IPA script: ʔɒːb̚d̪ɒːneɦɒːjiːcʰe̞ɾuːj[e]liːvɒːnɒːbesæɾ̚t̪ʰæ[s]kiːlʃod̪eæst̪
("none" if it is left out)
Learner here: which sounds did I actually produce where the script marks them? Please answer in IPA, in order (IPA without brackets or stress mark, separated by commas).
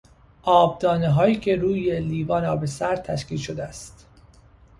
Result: e, ʃ